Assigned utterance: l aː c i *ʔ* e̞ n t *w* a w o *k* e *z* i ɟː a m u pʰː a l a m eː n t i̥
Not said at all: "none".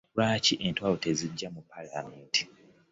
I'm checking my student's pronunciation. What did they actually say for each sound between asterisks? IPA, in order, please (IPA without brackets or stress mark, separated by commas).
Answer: ʔ, w, t, z